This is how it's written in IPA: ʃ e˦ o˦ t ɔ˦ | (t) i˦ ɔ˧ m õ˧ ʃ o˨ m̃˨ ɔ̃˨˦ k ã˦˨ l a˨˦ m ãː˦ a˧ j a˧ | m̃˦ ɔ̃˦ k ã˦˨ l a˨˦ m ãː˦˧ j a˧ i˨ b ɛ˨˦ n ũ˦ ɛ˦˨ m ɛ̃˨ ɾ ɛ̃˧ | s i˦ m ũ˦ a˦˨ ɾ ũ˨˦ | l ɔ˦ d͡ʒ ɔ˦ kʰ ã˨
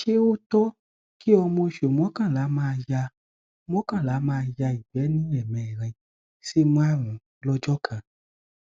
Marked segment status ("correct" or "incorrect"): incorrect